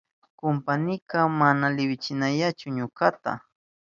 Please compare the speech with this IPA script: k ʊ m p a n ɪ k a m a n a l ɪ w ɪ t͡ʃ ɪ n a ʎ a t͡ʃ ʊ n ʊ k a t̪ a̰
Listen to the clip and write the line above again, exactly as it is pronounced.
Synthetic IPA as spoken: k ʊ m p a n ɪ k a m a n a l ɪ w ɪ t͡ʃ ɪ n a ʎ a t͡ʃ ʊ ɲ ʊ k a t̪ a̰